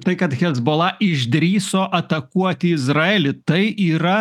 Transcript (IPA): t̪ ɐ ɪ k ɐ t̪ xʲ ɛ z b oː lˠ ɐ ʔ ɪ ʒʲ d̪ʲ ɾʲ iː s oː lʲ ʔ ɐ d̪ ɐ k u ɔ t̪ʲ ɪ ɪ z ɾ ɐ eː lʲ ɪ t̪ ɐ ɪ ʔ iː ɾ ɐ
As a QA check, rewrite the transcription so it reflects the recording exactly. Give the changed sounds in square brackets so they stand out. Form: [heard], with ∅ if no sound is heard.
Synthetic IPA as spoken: t̪ ɐ ɪ k ɐ t̪ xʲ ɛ z b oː lˠ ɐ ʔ ɪ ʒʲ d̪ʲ ɾʲ iː s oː [∅] ʔ ɐ [t̪] ɐ k u ɔ t̪ʲ ɪ ɪ z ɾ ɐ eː lʲ ɪ t̪ ɐ ɪ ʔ iː ɾ ɐ